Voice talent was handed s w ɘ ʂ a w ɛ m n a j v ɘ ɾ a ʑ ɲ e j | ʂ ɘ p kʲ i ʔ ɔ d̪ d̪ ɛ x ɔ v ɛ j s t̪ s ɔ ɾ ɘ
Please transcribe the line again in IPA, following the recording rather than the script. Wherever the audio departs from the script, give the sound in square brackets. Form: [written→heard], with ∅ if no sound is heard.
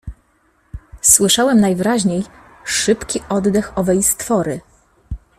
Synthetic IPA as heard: s w ɘ ʂ a w ɛ m n a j v ɘ ɾ a ʑ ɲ e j | ʂ ɘ p kʲ i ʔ ɔ d̪ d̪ ɛ x ɔ v ɛ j s t̪ [s→f] ɔ ɾ ɘ